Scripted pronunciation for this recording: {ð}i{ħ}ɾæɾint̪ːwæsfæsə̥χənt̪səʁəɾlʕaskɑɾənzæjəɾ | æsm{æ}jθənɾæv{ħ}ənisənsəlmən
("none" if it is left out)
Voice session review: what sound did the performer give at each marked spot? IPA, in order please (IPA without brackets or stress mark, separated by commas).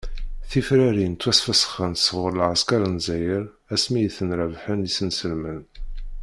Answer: θ, f, i, ħ